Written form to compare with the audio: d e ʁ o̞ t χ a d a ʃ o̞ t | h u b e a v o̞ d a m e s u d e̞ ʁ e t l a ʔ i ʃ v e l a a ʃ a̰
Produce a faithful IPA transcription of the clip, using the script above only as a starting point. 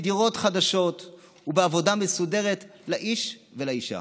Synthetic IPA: d i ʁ o̞ t χ a d a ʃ o̞ t | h u b e a v o̞ d a m e s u d e̞ ʁ e t l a ʔ i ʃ v e l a i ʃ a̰